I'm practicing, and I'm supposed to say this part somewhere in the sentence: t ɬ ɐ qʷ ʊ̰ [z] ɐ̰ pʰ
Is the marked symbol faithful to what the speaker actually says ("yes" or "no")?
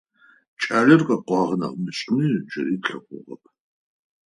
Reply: no